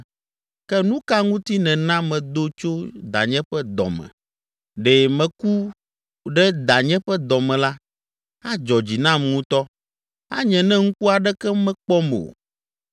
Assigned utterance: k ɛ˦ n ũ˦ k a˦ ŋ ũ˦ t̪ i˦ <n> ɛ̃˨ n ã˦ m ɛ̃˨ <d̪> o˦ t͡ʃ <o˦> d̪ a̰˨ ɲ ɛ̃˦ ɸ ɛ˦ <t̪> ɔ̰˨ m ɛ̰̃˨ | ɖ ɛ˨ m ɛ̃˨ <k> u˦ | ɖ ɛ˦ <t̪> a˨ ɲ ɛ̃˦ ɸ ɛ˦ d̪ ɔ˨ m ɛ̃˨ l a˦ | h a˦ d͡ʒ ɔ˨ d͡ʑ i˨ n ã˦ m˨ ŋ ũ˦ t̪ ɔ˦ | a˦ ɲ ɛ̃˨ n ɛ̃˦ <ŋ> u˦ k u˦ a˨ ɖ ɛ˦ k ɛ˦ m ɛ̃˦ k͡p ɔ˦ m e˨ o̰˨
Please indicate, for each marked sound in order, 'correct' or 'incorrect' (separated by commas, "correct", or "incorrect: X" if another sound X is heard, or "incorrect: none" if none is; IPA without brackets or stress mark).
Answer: correct, correct, correct, incorrect: d̪, correct, incorrect: d̪, correct